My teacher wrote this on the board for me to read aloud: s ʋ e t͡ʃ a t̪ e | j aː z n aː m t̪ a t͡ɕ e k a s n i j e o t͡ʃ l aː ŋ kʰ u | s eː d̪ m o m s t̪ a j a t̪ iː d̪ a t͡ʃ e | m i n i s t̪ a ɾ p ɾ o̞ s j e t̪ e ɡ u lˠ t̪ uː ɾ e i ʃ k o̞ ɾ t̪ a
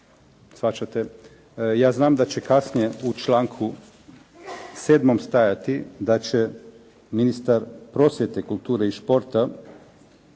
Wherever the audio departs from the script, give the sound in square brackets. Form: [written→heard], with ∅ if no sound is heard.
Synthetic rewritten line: s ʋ [e→a] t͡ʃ a t̪ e | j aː z n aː m [t̪→d̪] a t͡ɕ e k a s n i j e [o→u] t͡ʃ l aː ŋ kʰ u | s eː d̪ m o m s t̪ a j a t̪ [iː→i] d̪ a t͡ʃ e | m i n i s t̪ a ɾ p ɾ o̞ s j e t̪ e [ɡ→k] u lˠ t̪ uː ɾ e i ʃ [k→p] o̞ ɾ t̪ a

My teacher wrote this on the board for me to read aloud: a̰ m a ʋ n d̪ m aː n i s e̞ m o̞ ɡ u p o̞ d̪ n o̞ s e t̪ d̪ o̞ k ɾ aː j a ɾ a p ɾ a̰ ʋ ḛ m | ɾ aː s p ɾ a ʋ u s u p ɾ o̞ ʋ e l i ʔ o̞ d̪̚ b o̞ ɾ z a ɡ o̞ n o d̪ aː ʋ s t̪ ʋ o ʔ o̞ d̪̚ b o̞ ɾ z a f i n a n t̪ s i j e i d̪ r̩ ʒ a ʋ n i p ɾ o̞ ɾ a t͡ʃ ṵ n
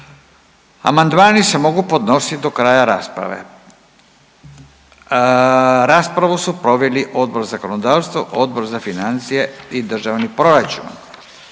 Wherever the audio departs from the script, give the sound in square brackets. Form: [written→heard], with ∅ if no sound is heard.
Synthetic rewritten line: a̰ m a [ʋ→∅] n d̪ m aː n i s e̞ m o̞ ɡ u p o̞ d̪ n o̞ s [e→i] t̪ d̪ o̞ k ɾ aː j a ɾ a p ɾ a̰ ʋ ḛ [m→∅] | ɾ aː s p ɾ a ʋ u s u p ɾ o̞ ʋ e l i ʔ o̞ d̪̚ b o̞ ɾ z a [ɡ→k] o̞ n o d̪ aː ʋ s t̪ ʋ o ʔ o̞ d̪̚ b o̞ ɾ z a f i n a n t̪ s i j e i d̪ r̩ ʒ a ʋ n i p ɾ o̞ ɾ a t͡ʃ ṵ n

